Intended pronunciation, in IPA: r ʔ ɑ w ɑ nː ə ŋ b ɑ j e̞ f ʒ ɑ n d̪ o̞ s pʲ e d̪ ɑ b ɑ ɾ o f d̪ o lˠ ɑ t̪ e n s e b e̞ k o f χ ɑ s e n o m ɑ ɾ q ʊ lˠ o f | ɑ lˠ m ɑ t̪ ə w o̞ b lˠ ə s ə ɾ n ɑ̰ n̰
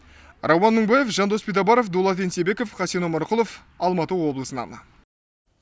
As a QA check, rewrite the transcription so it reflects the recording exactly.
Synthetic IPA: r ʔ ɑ w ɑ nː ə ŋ b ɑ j e̞ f ʒ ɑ n d̪ o̞ s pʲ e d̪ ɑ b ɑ ɾ o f d̪ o lˠ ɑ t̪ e n s e b e̞ k o f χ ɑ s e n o m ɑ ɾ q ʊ lˠ o f | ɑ lˠ m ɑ t̪ ə w o̞ b lˠ ə s ə n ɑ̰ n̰